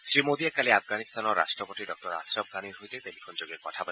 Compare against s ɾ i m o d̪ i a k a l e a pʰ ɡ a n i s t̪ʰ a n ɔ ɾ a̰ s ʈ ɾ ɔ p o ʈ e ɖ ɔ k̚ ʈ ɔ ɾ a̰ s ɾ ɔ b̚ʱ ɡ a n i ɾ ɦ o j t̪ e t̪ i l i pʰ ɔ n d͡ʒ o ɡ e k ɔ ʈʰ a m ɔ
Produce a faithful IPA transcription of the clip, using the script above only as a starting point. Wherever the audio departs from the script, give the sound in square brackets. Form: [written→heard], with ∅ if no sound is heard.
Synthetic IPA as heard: s ɾ i m o d̪ i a k a l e a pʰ ɡ a n i s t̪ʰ a n ɔ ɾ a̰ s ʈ ɾ ɔ p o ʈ [e→i] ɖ ɔ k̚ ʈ ɔ ɾ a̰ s ɾ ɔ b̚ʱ ɡ a n i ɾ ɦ o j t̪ e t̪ [i→e] l i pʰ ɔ n d͡ʒ o ɡ e k ɔ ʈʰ a [m→b] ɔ